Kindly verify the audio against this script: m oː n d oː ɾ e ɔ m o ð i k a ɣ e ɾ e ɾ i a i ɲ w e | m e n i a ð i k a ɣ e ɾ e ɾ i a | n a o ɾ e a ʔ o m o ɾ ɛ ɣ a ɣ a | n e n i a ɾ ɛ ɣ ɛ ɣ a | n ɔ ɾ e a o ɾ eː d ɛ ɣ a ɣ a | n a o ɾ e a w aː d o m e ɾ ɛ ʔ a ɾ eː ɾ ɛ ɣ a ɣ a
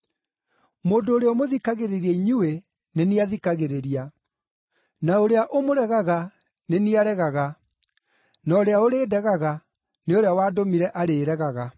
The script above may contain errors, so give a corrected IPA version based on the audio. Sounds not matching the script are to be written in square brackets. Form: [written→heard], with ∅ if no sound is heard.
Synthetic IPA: m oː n d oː ɾ e ɔ m o ð i k a ɣ e ɾ e ɾ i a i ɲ [w→u] e | [m→n] e n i a ð i k a ɣ e ɾ e ɾ i a | n a o ɾ e a ʔ o m o ɾ ɛ ɣ a ɣ a | n e n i a ɾ ɛ ɣ [ɛ→a] ɣ a | n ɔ ɾ e a o ɾ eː d ɛ ɣ a ɣ a | n [a→e] o ɾ e a w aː d o m [e→i] ɾ ɛ ʔ a ɾ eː ɾ ɛ ɣ a ɣ a